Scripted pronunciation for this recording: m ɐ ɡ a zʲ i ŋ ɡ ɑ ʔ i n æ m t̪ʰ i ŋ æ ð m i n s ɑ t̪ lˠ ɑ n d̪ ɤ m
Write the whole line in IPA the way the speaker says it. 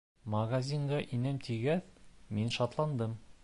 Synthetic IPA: m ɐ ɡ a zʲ i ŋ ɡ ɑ ʔ i n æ m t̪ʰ i ɡ æ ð m i n ʃ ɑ t̪ lˠ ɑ n d̪ ɤ m

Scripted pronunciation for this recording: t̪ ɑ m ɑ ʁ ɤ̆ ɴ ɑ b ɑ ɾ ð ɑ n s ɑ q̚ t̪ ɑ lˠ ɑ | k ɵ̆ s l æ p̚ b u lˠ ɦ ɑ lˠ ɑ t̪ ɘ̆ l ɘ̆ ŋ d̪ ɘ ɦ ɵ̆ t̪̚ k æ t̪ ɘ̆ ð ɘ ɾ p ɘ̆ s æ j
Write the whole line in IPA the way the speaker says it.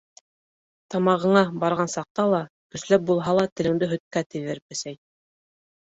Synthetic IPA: t̪ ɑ m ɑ ʁ ɤ̆ ɴ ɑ b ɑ ɾ ʁ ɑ n s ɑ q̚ t̪ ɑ lˠ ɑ | k ɵ̆ s l æ p̚ b u lˠ ɦ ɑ lˠ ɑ t̪ ɘ̆ l ɘ̆ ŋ d̪ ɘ ɦ ɵ̆ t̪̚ k æ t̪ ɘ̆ ð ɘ ɾ p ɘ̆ s æ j

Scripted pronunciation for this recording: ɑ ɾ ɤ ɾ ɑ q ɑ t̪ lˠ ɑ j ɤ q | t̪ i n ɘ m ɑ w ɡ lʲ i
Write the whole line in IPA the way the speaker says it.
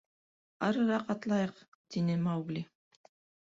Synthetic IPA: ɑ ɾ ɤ ɾ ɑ q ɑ t̪ lˠ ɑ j ɤ q | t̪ i n ɘ m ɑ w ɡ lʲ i

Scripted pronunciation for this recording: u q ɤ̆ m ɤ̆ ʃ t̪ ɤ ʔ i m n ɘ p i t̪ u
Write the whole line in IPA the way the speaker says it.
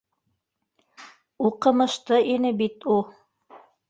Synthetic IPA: u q ɤ̆ m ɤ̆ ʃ t̪ ɤ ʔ i n ɘ b i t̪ u

